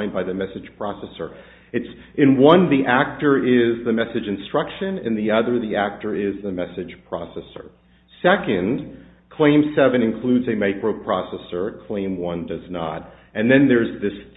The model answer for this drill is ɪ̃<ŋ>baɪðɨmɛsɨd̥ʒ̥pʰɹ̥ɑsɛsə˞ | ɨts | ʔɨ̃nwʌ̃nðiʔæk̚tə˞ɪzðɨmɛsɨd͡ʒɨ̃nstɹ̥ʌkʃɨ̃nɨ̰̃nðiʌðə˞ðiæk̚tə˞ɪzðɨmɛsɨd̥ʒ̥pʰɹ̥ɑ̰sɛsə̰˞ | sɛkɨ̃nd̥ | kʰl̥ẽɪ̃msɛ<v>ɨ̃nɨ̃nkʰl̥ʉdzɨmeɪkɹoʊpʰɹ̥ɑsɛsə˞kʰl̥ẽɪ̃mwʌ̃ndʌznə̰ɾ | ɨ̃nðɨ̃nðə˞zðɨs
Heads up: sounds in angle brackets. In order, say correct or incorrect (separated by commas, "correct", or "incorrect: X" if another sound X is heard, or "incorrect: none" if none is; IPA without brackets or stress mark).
incorrect: n, correct